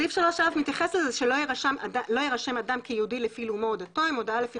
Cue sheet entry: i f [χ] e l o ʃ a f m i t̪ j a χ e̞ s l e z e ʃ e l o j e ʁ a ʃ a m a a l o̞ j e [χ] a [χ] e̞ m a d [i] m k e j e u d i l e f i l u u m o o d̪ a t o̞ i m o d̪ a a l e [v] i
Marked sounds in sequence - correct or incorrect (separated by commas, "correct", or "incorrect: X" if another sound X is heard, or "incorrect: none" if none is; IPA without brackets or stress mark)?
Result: incorrect: ʃ, incorrect: ʁ, incorrect: ʃ, incorrect: a, incorrect: f